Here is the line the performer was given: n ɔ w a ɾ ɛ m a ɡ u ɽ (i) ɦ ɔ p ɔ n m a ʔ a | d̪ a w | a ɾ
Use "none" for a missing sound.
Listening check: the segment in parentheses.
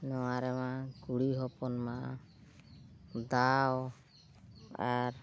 i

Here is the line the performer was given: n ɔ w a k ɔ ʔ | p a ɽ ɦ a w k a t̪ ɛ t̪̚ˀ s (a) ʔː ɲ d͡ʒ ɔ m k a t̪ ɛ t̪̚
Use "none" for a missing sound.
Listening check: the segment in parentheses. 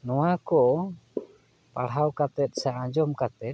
a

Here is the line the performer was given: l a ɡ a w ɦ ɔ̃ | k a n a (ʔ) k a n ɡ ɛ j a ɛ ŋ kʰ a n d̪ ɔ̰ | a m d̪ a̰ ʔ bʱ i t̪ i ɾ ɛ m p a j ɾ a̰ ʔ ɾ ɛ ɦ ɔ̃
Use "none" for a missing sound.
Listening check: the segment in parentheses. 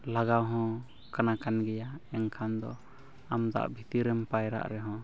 none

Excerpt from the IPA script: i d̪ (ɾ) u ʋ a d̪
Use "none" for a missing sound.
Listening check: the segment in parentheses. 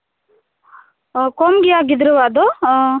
ɾ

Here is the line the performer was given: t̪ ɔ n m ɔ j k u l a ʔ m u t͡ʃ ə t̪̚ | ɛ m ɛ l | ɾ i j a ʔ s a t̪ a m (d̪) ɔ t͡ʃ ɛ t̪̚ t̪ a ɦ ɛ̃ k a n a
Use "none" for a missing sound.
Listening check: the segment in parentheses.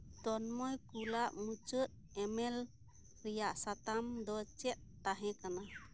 d̪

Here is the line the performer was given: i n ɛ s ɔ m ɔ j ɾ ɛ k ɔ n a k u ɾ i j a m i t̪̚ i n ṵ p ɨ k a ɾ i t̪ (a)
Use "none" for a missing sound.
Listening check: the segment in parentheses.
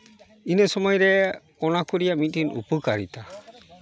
a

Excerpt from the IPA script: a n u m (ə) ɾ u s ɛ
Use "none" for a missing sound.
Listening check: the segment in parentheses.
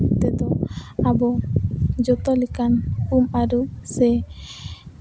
a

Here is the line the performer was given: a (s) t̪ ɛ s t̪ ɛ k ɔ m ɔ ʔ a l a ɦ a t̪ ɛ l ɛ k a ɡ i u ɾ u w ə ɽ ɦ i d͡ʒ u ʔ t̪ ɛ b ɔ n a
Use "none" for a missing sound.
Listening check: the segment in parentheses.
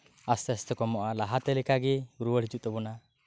s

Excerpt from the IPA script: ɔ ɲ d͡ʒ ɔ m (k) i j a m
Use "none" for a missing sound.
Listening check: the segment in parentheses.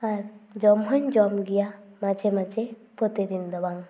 ɡ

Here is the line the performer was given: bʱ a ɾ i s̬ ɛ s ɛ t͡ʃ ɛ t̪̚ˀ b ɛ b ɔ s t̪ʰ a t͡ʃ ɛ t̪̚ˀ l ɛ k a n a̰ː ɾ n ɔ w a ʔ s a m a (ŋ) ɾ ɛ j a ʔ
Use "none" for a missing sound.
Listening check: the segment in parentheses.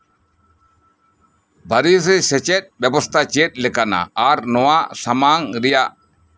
ŋ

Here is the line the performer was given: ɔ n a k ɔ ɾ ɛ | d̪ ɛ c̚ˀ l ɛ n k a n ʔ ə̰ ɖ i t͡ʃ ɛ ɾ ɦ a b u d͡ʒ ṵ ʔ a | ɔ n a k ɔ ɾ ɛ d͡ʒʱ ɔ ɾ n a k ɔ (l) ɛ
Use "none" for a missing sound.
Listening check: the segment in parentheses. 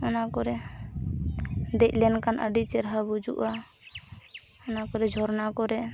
ɾ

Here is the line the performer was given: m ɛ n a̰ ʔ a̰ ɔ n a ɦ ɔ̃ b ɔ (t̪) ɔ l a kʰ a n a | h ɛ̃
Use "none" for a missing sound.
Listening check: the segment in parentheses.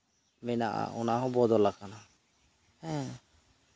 d̪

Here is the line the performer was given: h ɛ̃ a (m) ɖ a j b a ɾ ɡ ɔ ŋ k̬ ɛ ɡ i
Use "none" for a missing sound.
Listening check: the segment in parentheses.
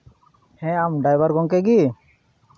m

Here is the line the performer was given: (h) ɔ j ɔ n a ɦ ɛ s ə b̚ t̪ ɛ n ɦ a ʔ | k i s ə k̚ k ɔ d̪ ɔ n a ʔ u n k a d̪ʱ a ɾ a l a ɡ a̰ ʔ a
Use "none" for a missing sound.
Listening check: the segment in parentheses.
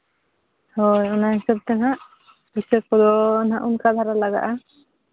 h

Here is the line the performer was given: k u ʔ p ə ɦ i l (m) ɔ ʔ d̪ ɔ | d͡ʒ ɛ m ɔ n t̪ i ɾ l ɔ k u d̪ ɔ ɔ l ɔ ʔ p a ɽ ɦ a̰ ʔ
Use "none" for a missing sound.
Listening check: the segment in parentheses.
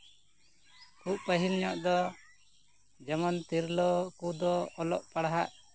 ɲ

